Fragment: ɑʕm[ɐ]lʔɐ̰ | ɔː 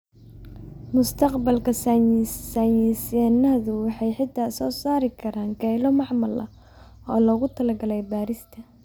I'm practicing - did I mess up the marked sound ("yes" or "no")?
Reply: no